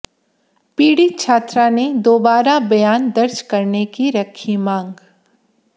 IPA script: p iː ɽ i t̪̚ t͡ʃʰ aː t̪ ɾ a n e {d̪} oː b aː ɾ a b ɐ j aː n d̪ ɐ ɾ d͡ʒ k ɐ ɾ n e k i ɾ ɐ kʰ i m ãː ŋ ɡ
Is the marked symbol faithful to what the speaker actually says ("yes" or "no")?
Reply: yes